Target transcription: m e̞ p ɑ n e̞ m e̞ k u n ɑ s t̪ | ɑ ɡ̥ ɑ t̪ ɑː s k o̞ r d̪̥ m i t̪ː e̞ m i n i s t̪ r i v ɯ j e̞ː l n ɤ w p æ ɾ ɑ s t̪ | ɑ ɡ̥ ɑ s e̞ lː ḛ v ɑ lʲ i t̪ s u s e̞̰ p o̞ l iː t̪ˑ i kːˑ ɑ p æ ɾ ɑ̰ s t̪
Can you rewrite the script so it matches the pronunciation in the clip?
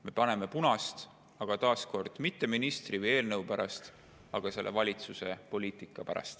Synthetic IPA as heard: m e̞ p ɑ n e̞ m e̞ p u n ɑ s t̪ | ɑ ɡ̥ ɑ t̪ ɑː s k o̞ r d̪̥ m i t̪ː e̞ m i n i s t̪ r i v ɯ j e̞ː l n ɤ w p æ ɾ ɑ s t̪ | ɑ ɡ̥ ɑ s e̞ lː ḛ v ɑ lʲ i t̪ s u s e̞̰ p o̞ l iː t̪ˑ i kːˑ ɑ p æ ɾ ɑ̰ s t̪